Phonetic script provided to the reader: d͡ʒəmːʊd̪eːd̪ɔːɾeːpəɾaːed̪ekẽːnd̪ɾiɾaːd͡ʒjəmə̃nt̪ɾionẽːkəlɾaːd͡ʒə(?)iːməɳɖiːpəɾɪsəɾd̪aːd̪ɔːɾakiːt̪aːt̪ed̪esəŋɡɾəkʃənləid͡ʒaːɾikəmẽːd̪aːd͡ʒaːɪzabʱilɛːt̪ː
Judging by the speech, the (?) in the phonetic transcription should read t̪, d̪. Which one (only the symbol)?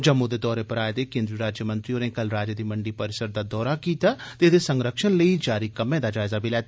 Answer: d̪